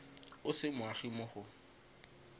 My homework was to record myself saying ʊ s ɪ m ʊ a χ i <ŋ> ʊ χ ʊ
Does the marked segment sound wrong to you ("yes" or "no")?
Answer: yes